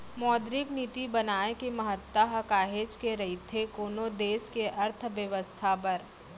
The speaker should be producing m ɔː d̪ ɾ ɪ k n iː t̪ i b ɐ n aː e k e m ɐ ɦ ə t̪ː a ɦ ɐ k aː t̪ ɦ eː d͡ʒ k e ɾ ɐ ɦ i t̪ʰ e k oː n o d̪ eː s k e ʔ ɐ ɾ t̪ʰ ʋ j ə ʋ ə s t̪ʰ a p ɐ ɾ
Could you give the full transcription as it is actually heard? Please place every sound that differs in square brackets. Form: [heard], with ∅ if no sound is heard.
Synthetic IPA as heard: m ɔː d̪ ɾ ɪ k n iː t̪ i b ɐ n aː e k e m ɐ ɦ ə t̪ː a ɦ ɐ k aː [∅] ɦ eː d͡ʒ k e ɾ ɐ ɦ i t̪ʰ e k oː n o d̪ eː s k e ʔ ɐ ɾ t̪ʰ ʋ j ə ʋ ə s t̪ʰ a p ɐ ɾ